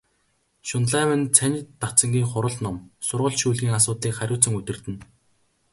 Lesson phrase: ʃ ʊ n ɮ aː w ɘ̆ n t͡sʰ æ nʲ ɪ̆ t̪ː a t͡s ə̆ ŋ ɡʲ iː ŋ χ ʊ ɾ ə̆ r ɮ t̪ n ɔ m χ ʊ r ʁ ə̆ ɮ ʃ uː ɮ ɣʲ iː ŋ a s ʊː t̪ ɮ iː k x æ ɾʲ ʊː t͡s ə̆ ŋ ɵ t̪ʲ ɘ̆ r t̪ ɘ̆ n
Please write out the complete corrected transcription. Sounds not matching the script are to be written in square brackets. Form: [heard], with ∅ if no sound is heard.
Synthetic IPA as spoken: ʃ ʊ n ɮ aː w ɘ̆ n t͡sʰ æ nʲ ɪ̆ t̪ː a t͡s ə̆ ŋ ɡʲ iː ŋ χ ʊ ɾ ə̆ [∅] ɮ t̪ n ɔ m [s] ʊ r ʁ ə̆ ɮ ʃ uː ɮ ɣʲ iː ŋ a s ʊː t̪ ɮ iː k [χ] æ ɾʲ ʊː t͡s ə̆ ŋ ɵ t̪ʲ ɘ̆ r t̪ ɘ̆ n